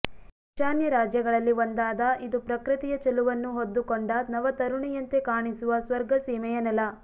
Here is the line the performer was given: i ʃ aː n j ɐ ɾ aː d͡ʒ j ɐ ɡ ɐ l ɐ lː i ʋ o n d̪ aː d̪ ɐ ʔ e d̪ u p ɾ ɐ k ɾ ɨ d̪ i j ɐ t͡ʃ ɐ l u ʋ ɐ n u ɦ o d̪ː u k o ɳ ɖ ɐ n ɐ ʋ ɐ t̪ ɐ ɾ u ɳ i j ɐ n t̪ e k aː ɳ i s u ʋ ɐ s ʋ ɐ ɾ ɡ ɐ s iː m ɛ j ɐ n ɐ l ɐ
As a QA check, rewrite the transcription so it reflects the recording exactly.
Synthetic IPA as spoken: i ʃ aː n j ɐ ɾ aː d͡ʒ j ɐ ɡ ɐ ɭ ɐ lː i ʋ o n d̪ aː d̪ ɐ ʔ i d̪ u p ɾ ɐ k ɾ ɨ t̪ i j ɐ t͡ʃ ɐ l u ʋ ɐ nː u ɦ o d̪ː u k o ɳ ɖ ɐ n ɐ ʋ ɐ t̪ ɐ ɾ u ɳ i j ɐ n t̪ e k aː ɳ i s u ʋ ɐ s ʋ ɐ ɾ ɡ ɐ s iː m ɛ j ɐ n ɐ l ɐ